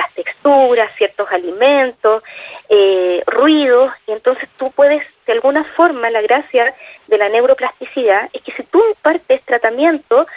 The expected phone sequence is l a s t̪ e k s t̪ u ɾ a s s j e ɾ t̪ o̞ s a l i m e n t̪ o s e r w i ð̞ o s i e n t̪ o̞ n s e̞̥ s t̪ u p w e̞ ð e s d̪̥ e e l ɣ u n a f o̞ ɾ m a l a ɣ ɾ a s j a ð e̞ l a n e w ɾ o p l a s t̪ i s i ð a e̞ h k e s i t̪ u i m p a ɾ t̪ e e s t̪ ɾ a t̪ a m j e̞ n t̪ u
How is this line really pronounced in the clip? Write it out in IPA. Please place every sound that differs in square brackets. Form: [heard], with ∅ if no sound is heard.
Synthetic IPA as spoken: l a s t̪ e k s t̪ u ɾ a s s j e ɾ t̪ o̞ s a l i m e n t̪ o s e r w i ð̞ o s i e n t̪ o̞ n s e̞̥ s t̪ u p w e̞ ð e s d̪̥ e [a] l ɣ u n a f o̞ ɾ m a l a ɣ ɾ a s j a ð e̞ l a n e w ɾ o p l a s t̪ i s i ð a e̞ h k e s i t̪ u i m p a ɾ t̪ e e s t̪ ɾ a t̪ a m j e̞ n t̪ [o]